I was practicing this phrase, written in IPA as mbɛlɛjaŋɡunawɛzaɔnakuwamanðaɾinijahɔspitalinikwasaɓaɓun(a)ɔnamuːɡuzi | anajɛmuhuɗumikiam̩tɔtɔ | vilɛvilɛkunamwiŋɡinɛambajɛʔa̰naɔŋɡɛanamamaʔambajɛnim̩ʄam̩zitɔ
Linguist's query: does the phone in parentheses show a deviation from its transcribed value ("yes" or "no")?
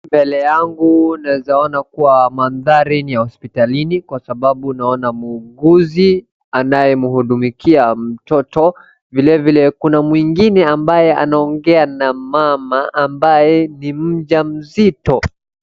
no